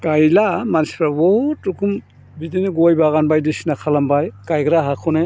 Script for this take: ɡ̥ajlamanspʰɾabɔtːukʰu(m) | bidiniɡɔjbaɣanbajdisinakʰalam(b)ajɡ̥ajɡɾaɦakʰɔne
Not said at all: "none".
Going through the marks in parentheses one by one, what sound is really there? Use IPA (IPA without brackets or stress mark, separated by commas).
m, b